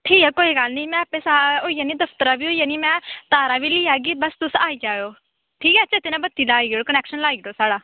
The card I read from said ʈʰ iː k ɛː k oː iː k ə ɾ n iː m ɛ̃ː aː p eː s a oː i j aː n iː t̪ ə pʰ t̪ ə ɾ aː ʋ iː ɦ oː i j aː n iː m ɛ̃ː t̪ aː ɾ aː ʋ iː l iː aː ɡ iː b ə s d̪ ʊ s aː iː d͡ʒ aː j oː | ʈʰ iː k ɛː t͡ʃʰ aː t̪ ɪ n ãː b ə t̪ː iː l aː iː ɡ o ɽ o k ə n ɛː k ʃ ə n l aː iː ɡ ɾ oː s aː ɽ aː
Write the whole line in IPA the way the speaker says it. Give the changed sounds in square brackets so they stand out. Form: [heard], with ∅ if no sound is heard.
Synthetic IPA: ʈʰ iː k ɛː k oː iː [ɡ] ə [l] n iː m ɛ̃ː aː p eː s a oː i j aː n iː [d̪] ə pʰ t̪ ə ɾ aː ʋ iː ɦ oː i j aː n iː m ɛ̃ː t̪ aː ɾ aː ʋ iː l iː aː ɡ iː b ə s [t̪] ʊ s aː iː d͡ʒ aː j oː | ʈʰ iː k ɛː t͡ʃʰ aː t̪ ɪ n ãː b ə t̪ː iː l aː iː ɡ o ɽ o k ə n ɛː k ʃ ə n l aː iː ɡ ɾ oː s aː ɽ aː